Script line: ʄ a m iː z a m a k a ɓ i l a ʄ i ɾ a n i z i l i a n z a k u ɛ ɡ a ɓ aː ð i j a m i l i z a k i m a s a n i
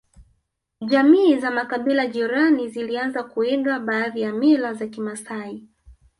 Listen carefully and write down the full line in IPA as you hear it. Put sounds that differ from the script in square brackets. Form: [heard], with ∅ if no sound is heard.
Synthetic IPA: ʄ a m iː z a m a k a ɓ i l a ʄ i ɾ a n i z i l i a n z a k u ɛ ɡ a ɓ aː ð i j a m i l [a] z a k i m a s a [∅] i